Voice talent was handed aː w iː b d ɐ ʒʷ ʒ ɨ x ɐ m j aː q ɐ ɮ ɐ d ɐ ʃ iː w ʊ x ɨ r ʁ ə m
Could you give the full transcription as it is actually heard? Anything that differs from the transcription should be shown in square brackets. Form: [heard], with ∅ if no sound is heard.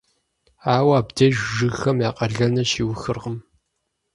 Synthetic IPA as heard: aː w [aː] b d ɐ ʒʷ ʒ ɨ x ɐ m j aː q ɐ ɮ ɐ [n] ɐ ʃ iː w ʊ x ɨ r ʁ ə m